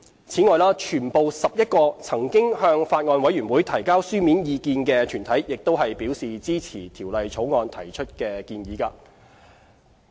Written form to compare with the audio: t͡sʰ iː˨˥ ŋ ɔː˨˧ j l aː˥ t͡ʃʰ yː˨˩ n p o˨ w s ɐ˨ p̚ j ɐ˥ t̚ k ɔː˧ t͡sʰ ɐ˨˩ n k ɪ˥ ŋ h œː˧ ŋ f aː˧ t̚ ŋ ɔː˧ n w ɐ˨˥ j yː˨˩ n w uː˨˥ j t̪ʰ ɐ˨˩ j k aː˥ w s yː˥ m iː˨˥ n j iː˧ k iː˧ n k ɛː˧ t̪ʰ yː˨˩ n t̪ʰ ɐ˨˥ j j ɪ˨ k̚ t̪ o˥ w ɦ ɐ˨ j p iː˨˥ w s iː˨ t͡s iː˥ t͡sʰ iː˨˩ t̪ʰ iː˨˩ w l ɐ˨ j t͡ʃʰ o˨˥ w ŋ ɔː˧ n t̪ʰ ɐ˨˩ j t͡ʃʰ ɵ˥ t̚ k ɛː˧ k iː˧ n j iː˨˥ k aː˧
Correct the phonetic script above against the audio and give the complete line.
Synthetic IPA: t͡sʰ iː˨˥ ŋ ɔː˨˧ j l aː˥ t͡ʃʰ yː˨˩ n p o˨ w s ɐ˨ p̚ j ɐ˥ t̚ k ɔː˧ t͡sʰ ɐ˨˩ ŋ k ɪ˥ ŋ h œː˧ ŋ f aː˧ t̚ ŋ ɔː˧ n w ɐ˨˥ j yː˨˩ n w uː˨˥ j t̪ʰ ɐ˨˩ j k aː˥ w s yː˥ m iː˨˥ n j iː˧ k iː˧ n k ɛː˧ t̪ʰ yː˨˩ n t̪ʰ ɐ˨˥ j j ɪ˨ k̚ t̪ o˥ w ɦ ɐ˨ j p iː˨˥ w s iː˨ t͡s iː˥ t͡sʰ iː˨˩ t̪ʰ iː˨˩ w l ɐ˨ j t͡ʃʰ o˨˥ w ŋ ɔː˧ n t̪ʰ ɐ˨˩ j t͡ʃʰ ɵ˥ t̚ k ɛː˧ k iː˧ n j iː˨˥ k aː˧

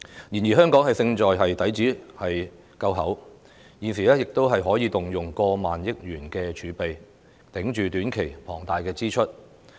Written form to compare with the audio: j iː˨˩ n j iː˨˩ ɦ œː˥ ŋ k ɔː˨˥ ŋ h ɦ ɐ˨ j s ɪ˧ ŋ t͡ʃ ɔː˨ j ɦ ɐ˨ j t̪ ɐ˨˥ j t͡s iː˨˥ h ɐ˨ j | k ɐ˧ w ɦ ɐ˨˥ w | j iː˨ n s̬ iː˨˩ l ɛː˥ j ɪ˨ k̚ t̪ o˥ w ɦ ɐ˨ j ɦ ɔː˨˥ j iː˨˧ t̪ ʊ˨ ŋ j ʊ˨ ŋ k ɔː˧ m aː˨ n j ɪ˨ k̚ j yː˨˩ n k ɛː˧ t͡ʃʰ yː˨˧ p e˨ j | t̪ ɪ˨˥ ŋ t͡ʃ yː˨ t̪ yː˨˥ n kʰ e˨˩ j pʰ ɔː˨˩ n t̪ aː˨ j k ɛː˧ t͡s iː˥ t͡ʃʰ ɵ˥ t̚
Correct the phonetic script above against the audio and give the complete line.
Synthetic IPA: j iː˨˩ n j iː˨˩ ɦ œː˥ ŋ k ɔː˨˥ ŋ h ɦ ɐ˨ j s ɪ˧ ŋ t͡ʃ ɔː˨ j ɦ ɐ˨ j t̪ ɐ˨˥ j t͡s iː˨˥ h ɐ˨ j | k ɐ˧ w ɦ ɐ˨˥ w | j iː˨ n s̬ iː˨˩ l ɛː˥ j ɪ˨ k̚ t̪ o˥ w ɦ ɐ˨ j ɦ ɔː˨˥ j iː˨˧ t̪ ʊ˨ ŋ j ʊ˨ ŋ k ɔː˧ m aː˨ n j ɪ˥ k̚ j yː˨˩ n k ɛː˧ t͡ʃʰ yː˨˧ p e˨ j | t̪ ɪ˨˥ ŋ t͡ʃ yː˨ t̪ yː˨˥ n kʰ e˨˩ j pʰ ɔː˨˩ ŋ t̪ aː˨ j k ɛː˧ t͡s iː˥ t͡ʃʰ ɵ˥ t̚

